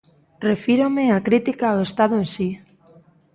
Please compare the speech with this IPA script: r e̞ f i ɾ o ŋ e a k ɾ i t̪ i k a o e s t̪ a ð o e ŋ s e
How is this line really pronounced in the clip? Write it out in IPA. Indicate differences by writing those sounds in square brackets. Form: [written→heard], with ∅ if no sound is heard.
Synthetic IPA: r e̞ f i ɾ o [ŋ→m] e a k ɾ i t̪ i k a o e s t̪ a ð o e [ŋ→n] s [e→i]